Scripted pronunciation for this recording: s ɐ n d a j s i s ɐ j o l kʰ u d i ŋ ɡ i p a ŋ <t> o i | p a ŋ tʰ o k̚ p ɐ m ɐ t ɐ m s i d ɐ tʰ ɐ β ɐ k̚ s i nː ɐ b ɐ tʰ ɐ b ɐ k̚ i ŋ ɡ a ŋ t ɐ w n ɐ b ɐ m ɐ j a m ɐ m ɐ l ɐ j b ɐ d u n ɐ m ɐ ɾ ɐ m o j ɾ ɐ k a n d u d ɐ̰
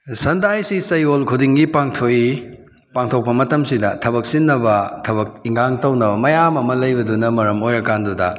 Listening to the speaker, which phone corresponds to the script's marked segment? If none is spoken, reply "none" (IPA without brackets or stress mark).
tʰ